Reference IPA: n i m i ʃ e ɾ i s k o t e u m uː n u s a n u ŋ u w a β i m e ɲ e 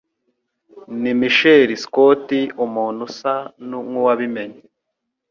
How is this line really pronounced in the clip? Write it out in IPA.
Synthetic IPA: n i m i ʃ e ɾ i s k o t i u m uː n u s a n u ŋ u w a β i m e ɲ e